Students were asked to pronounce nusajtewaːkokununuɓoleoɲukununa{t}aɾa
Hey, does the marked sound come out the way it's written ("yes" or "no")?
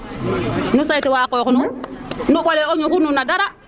no